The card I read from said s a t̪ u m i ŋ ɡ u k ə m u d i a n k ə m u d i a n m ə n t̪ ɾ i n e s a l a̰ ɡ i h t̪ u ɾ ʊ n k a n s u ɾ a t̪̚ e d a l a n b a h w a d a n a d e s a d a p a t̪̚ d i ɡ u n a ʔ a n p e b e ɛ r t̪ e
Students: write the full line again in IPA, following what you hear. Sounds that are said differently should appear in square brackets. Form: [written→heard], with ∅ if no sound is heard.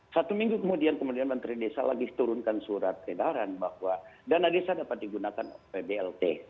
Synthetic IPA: s a t̪ u m i ŋ ɡ u k ə m u d i a n k ə m u d i a n m ə n t̪ ɾ i [n→d] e s a l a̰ ɡ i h t̪ u ɾ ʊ n k a n s u ɾ a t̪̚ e d a [l→ɾ] a n b a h w a d a n a d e s a d a p a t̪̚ d i ɡ u n a [ʔ→k] a n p e b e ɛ [r→l] t̪ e